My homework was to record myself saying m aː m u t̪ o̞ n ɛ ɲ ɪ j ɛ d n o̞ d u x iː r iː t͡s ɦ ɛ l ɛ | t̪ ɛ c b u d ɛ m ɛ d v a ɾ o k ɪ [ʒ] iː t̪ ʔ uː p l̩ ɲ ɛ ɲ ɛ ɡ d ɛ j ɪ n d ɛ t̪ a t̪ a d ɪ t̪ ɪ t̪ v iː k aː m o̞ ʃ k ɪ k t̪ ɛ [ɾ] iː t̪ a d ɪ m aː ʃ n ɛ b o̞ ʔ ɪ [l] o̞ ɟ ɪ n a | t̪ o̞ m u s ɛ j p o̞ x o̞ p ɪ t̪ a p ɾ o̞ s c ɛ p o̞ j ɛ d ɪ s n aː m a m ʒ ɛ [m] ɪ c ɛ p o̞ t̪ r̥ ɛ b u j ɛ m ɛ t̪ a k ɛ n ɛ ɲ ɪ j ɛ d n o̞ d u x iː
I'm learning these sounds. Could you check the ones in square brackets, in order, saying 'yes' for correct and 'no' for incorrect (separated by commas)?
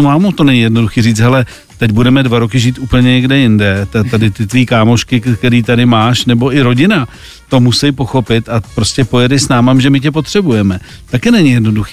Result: yes, yes, no, yes